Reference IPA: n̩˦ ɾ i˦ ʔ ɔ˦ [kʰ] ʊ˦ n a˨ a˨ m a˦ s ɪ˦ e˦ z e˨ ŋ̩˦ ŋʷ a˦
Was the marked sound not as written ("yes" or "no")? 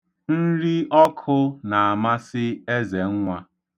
no